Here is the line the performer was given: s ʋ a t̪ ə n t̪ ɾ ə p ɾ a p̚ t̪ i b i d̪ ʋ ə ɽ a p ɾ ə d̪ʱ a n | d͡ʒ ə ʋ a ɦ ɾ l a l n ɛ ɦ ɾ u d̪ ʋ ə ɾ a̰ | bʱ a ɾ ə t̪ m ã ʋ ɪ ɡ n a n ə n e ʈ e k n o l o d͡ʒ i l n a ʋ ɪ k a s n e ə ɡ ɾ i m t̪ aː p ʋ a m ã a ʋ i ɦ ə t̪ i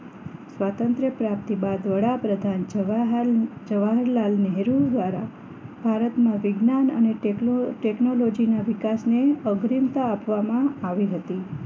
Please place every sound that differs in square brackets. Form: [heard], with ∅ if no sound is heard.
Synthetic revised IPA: s ʋ a t̪ ə n t̪ ɾ ə p ɾ a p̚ t̪ i b [a] d̪ ʋ ə ɽ a p ɾ ə d̪ʱ a n | d͡ʒ ə ʋ a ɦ ɾ l a l n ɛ ɦ ɾ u d̪ ʋ [a] ɾ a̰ | bʱ a ɾ ə t̪ m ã ʋ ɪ ɡ n a n ə n e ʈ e k n o l o d͡ʒ i [∅] n a ʋ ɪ k a s n e ə ɡ ɾ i m t̪ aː p ʋ a m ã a ʋ i ɦ ə t̪ i

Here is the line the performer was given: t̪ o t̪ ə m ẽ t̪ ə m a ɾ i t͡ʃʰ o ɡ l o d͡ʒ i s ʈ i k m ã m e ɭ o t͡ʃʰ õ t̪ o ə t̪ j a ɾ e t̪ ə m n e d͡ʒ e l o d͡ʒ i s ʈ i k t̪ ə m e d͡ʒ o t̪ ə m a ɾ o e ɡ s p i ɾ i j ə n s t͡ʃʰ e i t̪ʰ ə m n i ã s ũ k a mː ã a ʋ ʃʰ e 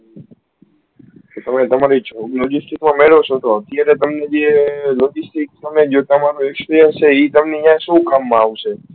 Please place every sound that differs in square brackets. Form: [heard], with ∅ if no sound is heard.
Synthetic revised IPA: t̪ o t̪ ə m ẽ t̪ ə m a ɾ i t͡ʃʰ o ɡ l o d͡ʒ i s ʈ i k m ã m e ɭ o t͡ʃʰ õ t̪ o ə t̪ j a ɾ e t̪ ə m n e d͡ʒ e l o d͡ʒ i s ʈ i k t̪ ə m e d͡ʒ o t̪ ə m a ɾ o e [k] s p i ɾ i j ə n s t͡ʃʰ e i [t̪] ə m n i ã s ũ k a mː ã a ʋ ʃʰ e

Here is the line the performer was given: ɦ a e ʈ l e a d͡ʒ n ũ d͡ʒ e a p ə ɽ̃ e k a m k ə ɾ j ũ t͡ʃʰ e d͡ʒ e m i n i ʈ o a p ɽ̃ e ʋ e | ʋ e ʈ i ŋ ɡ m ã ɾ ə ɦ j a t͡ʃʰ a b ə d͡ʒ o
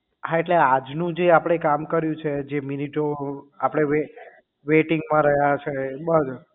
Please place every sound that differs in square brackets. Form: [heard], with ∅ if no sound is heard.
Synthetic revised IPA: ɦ a e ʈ l e a d͡ʒ n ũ d͡ʒ e a p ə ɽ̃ e k a m k ə ɾ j ũ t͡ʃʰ e d͡ʒ e m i n i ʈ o a p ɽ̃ e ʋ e | ʋ e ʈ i ŋ ɡ m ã ɾ ə ɦ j a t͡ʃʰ [e] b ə d͡ʒ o

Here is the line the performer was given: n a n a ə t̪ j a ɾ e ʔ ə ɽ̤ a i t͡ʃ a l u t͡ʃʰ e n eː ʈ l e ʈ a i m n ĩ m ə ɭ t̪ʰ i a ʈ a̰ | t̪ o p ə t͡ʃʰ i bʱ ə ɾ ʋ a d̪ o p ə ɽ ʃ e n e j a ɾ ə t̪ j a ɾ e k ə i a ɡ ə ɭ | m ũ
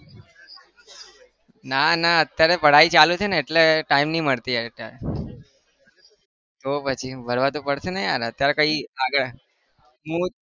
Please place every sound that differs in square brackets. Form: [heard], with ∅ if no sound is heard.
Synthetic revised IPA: n a n a ə t̪ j a ɾ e [p] ə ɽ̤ a i t͡ʃ a l u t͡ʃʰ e n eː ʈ l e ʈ a i m n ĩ m ə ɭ [t̪] i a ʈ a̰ | t̪ o p ə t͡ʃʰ i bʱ ə ɾ ʋ a [t̪] o p ə ɽ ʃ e n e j a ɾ ə t̪ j a ɾ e k ə i a ɡ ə ɭ | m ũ

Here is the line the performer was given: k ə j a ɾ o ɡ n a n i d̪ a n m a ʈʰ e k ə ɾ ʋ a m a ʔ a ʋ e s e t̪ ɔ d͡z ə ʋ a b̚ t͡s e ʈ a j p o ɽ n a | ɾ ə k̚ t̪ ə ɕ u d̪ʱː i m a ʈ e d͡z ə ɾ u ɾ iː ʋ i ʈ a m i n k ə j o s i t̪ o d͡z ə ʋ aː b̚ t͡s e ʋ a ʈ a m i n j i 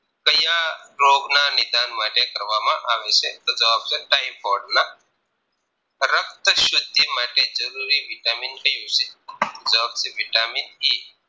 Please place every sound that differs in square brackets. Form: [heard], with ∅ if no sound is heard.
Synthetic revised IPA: k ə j a ɾ o ɡ n a n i d̪ a n m a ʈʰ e k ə ɾ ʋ a m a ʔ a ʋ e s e t̪ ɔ d͡z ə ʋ a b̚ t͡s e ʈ a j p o ɽ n a | ɾ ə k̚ t̪ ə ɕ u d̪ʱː i m a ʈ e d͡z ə ɾ u ɾ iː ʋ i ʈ a m i n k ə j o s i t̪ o d͡z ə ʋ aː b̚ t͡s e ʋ [i] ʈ a m i n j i

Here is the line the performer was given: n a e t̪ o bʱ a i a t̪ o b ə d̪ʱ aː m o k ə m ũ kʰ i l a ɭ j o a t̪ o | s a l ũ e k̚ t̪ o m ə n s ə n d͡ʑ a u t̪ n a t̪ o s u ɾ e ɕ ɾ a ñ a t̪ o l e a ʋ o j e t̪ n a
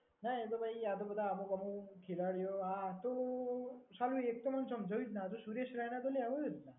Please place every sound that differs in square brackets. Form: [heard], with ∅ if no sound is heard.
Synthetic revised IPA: n a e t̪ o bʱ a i a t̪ o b ə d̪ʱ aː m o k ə m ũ kʰ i l a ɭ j o a t̪ o | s a l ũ e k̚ t̪ o m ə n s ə [m] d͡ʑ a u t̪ n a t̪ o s u ɾ e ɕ ɾ a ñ a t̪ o l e a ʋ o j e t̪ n a

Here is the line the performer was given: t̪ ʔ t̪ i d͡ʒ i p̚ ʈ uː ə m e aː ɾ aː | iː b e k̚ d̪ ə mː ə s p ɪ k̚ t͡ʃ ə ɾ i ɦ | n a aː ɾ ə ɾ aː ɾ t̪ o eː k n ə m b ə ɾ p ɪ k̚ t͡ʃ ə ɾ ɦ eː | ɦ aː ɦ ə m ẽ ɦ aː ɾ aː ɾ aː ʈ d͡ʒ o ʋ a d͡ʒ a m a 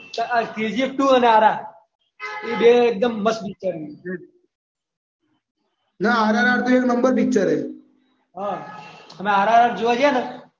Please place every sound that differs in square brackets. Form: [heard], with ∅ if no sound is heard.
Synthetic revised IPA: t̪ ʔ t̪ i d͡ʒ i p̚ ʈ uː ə [n] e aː ɾ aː | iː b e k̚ d̪ ə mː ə s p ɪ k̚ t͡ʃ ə ɾ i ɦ | n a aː ɾ [a] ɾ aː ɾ t̪ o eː k n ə m b ə ɾ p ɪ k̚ t͡ʃ ə ɾ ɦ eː | ɦ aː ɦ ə m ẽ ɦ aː ɾ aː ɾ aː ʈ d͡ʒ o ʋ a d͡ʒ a [n] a

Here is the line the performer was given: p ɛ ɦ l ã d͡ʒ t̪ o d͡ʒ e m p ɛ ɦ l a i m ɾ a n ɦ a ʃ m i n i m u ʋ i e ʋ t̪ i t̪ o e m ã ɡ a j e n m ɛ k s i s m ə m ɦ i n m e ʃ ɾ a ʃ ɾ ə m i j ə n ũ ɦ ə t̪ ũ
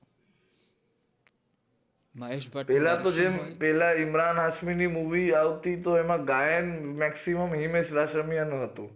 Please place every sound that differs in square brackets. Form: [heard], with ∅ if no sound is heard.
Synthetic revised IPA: p ɛ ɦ l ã [∅] t̪ o d͡ʒ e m p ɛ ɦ l a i m ɾ a n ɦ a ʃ m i n i m u ʋ i [a] ʋ t̪ i t̪ o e m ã ɡ a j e n m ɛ k s i [∅] m ə m ɦ i [∅] m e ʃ ɾ a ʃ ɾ ə m i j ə n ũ ɦ ə t̪ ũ

